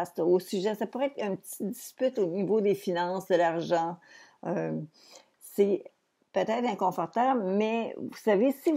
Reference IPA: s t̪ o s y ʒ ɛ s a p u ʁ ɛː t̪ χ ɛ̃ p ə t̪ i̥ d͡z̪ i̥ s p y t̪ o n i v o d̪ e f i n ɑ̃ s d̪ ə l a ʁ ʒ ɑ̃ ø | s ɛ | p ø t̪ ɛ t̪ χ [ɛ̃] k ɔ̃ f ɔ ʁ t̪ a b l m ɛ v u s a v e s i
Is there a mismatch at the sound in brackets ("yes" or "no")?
no